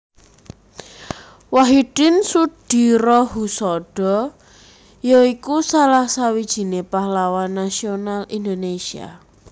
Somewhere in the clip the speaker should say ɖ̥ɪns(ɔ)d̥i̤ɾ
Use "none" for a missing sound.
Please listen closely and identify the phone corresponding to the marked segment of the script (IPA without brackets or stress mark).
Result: u